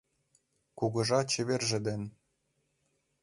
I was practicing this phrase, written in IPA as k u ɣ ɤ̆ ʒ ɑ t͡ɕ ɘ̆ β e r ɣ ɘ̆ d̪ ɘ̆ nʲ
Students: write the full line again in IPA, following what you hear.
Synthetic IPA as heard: k u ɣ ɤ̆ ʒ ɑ t͡ɕ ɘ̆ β e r ʒ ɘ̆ d̪ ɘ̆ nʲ